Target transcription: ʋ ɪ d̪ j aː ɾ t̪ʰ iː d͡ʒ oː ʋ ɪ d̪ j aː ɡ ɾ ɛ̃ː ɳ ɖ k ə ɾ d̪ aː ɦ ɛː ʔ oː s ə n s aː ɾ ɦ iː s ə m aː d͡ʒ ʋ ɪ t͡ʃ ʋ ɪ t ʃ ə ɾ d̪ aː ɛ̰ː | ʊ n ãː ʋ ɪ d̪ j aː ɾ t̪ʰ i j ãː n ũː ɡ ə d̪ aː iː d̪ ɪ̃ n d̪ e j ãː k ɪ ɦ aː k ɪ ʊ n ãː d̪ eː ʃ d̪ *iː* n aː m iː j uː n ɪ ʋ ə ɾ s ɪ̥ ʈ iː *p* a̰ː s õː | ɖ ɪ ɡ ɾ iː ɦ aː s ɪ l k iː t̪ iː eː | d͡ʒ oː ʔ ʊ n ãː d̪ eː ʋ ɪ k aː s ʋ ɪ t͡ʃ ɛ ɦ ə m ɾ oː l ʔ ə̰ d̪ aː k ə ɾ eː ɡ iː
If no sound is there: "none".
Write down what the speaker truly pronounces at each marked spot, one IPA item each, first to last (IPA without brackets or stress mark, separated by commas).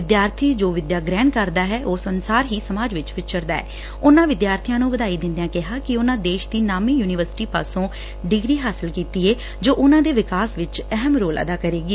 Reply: iː, p